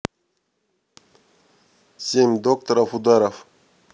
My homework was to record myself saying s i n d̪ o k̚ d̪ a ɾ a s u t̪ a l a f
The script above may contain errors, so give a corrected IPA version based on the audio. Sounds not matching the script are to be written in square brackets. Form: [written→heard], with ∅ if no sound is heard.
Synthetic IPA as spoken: s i [n→m] d̪ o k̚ [d̪→t̪] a ɾ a [s→f] u [t̪→d̪] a [l→ɾ] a f